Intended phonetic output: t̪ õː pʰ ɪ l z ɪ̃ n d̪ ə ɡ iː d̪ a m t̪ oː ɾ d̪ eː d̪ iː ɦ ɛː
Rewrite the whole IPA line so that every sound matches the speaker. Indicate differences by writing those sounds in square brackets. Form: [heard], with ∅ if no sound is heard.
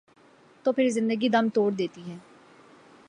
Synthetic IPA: t̪ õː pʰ ɪ [ɾ] z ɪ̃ n d̪ ə ɡ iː d̪ [ə] m t̪ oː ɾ d̪ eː [t̪] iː ɦ ɛː